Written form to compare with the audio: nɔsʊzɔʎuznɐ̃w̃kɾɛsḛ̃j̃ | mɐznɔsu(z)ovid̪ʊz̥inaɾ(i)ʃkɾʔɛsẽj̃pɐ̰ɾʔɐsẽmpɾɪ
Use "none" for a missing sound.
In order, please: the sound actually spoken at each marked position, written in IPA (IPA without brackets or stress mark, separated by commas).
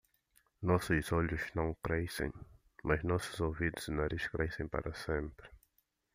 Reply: z, i